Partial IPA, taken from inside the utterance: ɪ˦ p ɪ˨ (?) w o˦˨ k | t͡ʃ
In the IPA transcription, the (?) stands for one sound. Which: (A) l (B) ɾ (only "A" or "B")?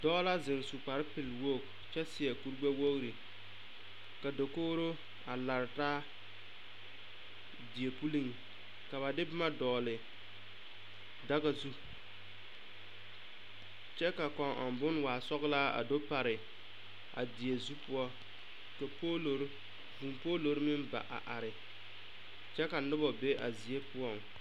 A